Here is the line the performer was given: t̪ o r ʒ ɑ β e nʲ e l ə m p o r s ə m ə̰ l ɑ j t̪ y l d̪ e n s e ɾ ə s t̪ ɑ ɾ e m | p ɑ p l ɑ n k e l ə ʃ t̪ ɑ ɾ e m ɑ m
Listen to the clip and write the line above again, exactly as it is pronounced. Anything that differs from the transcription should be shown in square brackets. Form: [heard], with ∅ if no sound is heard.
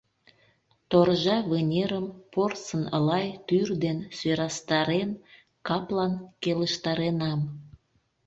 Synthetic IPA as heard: t̪ o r ʒ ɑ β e nʲ e [ɾ] ə m p o r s ə [n] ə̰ l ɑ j t̪ y [r] d̪ e n s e ɾ [ɑ] s t̪ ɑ ɾ e [n] | [k] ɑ p l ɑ n k e l ə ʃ t̪ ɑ ɾ e [n] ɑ m

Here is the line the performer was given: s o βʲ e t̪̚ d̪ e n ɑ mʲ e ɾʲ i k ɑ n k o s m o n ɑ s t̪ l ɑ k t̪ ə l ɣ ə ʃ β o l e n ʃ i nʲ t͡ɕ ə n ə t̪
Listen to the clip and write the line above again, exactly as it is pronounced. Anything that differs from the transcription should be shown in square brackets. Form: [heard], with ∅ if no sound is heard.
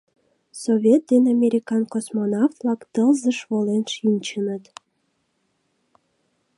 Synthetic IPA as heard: s o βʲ e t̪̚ d̪ e n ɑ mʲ e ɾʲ i k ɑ n k o s m o n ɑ [f] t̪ l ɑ k t̪ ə l [z] ə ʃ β o l e n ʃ i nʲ t͡ɕ ə n ə t̪

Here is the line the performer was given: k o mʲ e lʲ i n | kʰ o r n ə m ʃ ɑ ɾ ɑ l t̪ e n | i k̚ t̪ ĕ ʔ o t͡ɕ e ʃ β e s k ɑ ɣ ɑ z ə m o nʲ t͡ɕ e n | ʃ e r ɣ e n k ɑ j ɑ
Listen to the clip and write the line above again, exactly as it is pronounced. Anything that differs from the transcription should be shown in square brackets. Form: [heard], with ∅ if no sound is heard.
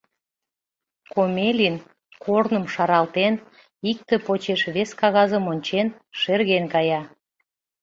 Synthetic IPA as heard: k o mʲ e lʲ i n | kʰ o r n ə m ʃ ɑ ɾ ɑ l t̪ e n | i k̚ t̪ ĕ [p] o t͡ɕ e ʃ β e s k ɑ ɣ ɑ z ə m o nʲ t͡ɕ e n | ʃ e r ɣ e n k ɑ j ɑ

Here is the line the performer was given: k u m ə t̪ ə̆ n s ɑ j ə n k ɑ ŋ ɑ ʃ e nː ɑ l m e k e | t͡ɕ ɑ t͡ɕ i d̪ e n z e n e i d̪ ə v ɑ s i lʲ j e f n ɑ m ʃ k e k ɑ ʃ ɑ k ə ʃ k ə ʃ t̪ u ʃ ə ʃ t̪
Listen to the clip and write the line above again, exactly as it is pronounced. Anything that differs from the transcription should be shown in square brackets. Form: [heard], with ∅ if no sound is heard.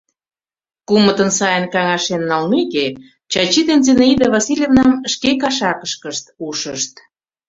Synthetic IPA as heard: k u m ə t̪ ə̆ n s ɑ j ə n k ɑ ŋ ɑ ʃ e nː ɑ l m e k e | t͡ɕ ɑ t͡ɕ i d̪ e n z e n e i d̪ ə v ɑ s i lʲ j e [v] n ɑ m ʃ k e k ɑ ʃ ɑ k ə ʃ k ə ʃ t̪ u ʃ ə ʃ t̪

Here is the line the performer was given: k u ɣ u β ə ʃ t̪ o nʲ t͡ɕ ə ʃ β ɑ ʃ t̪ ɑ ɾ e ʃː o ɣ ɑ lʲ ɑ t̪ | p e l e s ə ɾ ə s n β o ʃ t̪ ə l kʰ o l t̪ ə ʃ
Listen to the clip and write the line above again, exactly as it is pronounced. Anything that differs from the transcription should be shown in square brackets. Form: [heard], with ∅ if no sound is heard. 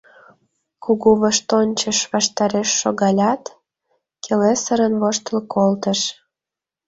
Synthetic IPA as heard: k u ɣ u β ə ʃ t̪ o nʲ t͡ɕ ə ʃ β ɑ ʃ t̪ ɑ ɾ e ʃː o ɣ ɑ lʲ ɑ t̪ | [k] e l e s ə ɾ ə [∅] n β o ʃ t̪ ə l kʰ o l t̪ ə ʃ

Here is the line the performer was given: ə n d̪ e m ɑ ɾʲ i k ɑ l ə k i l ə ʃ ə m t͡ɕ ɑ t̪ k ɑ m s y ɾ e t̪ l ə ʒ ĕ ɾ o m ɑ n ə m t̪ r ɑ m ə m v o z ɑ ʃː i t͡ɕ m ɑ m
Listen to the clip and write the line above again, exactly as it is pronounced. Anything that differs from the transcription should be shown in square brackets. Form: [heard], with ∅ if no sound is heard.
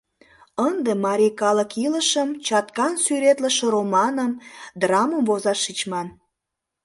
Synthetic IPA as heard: ə n d̪ e m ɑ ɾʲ i k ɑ l ə k i l ə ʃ ə m t͡ɕ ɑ t̪ k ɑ [n] s y ɾ e t̪ l ə [ʃ] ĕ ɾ o m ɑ n ə m [d̪] r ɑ m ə m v o z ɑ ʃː i t͡ɕ m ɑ [n]

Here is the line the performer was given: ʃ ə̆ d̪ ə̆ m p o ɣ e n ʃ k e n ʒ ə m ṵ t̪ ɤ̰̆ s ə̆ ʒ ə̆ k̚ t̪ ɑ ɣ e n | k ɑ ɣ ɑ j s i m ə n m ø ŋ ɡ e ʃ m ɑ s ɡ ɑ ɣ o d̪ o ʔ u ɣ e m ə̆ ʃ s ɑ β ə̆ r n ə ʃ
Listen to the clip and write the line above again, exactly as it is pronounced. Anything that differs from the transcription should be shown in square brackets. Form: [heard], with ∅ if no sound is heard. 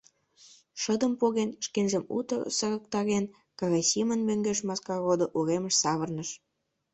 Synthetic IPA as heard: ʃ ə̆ d̪ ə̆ m p o ɣ e n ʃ k e n ʒ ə m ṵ t̪ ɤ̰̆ s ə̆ [ɣ] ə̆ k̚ t̪ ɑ ɣ e n | k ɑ ɣ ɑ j s i m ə n m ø ŋ ɡ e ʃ m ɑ s [k] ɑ ɣ o d̪ o ʔ u ɣ e m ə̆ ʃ s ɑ β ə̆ r n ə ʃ

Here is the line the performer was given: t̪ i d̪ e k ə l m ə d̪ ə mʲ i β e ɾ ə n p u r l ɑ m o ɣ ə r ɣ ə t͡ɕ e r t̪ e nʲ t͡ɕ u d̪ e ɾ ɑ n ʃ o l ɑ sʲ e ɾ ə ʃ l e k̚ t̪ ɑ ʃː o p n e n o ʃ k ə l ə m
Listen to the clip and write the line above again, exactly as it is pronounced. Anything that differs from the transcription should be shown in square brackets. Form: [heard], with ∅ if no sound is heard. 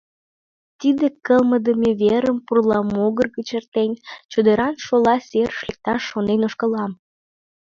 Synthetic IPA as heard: t̪ i d̪ e k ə l m ə d̪ ə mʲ [e] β e ɾ ə [m] p u r l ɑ m o ɣ ə r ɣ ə t͡ɕ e r t̪ e nʲ t͡ɕ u d̪ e ɾ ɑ n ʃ o l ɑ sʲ e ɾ ə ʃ l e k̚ t̪ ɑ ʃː o [∅] n e n o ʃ k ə l [ɑ] m

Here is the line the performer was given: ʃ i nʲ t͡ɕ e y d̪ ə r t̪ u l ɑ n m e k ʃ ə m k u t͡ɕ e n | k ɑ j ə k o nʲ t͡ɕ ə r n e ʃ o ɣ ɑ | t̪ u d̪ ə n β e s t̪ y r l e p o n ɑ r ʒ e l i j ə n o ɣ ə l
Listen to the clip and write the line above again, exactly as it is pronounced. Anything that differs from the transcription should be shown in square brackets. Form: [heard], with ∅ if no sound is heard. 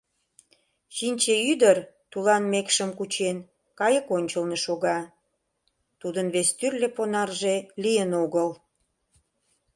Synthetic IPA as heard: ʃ i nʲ t͡ɕ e y d̪ ə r t̪ u l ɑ n m e k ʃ ə m k u t͡ɕ e n | k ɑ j ə k o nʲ t͡ɕ ə [l] n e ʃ o ɣ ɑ | t̪ u d̪ ə n β e s t̪ y r l e p o n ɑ r ʒ e l i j ə n o ɣ ə l

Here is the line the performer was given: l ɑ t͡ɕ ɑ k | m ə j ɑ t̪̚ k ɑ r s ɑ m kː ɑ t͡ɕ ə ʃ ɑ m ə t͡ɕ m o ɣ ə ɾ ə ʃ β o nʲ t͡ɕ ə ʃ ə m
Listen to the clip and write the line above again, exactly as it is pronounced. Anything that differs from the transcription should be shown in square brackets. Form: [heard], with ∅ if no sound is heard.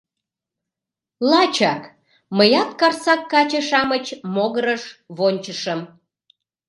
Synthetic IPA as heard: l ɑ t͡ɕ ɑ k | m ə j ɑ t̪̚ k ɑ r s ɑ [∅] kː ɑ t͡ɕ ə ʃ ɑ m ə t͡ɕ m o ɣ ə ɾ ə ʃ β o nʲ t͡ɕ ə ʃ ə m

